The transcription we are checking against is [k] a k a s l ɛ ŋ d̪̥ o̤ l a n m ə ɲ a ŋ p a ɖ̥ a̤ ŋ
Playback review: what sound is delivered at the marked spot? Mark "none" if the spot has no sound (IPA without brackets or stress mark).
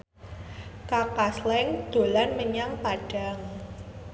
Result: k